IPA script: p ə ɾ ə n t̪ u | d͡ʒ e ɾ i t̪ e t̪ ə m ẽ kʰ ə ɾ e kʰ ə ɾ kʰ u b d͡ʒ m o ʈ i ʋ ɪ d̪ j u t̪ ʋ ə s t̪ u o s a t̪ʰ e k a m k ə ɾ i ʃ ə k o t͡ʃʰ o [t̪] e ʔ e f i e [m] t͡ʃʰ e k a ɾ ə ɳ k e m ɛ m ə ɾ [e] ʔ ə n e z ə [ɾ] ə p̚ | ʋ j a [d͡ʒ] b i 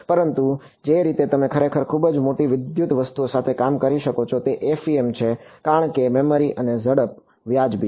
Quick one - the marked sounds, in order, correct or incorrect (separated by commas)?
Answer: correct, correct, incorrect, incorrect, correct